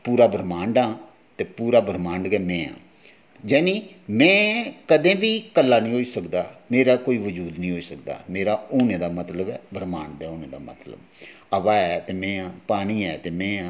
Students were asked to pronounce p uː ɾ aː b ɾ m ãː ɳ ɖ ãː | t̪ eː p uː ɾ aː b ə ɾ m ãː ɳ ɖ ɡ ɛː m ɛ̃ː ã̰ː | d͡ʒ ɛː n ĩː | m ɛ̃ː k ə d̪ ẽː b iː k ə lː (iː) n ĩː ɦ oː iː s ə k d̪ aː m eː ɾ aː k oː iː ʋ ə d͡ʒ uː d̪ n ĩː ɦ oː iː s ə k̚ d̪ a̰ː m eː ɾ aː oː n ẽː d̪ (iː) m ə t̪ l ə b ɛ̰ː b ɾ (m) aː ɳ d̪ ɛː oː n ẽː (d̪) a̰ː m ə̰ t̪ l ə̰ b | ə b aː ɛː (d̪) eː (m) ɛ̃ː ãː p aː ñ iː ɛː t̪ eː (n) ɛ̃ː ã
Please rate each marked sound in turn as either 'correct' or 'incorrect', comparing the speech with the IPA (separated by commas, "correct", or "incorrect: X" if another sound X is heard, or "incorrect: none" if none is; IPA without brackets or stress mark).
incorrect: aː, incorrect: aː, correct, correct, incorrect: t̪, correct, incorrect: m